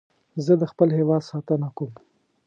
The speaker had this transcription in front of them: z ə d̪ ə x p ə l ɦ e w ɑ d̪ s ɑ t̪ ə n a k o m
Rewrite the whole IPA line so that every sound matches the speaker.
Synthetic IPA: z ə d̪ ə x p ə l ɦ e w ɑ d̪ s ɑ t̪ ə n a k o m